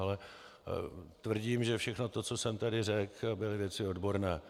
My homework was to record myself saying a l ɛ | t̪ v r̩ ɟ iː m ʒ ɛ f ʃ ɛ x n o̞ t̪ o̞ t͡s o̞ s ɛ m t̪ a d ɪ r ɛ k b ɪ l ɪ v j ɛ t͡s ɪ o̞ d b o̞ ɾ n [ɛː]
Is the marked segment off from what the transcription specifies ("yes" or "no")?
no